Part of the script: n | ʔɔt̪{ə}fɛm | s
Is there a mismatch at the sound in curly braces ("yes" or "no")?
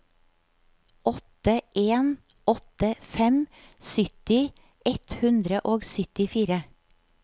no